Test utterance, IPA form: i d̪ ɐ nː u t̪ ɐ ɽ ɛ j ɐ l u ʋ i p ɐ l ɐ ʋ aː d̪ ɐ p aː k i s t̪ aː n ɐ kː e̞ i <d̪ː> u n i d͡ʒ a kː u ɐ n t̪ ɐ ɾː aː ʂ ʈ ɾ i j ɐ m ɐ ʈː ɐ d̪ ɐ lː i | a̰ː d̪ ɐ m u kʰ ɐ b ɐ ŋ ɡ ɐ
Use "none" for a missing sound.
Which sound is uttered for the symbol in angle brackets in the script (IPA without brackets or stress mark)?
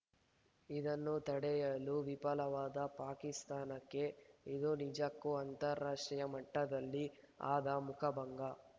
d̪